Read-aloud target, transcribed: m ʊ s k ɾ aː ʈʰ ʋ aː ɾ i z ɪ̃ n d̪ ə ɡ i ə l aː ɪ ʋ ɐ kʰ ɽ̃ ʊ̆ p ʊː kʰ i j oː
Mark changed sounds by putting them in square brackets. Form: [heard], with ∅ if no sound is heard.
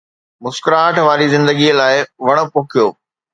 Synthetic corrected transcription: m ʊ s k ɾ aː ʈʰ ʋ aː ɾ i z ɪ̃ n d̪ ə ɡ i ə l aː ɪ ʋ ɐ [∅] ɽ̃ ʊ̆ p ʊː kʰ i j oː